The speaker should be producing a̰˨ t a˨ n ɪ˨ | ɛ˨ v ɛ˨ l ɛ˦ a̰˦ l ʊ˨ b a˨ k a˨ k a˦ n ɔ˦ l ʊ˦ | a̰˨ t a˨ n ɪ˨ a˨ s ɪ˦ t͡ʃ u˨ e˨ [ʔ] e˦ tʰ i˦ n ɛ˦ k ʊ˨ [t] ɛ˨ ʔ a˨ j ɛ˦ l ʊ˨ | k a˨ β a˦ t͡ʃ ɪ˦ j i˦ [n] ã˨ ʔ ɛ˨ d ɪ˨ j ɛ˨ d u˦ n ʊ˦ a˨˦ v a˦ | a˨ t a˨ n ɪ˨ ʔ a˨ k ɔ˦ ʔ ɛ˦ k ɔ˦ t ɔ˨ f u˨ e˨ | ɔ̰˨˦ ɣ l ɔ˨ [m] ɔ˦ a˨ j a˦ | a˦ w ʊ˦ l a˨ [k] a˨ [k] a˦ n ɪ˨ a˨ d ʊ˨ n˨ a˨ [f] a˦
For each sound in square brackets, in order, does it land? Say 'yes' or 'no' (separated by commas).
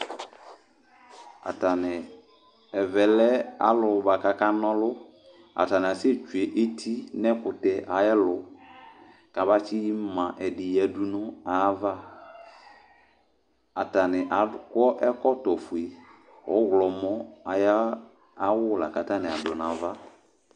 yes, yes, no, yes, yes, no, no